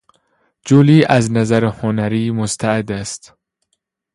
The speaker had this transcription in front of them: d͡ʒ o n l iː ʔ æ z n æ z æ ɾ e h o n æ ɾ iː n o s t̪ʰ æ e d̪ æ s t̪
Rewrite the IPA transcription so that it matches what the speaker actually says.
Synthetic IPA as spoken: d͡ʒ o l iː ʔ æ z n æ z æ ɾ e h o n æ ɾ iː m o s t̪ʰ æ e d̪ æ s t̪